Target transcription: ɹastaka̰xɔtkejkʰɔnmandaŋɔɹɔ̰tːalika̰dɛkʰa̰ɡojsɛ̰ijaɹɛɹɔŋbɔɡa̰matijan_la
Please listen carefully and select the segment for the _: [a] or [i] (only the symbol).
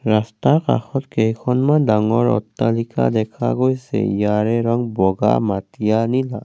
i